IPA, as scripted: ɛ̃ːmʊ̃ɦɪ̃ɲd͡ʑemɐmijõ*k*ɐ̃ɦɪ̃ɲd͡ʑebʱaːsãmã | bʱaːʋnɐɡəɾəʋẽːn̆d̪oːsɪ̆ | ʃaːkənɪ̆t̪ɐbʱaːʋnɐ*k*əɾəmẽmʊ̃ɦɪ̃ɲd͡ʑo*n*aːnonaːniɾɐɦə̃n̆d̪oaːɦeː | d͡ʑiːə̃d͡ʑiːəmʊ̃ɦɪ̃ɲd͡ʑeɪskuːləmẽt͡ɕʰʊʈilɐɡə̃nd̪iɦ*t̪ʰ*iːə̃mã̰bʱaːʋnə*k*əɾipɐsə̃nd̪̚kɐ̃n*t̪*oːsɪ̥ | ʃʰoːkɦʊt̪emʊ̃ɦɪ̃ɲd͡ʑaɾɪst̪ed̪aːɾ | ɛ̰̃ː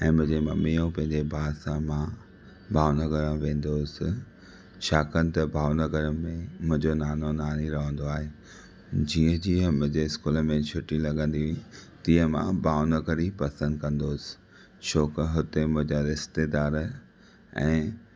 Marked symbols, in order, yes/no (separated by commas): no, no, yes, no, no, no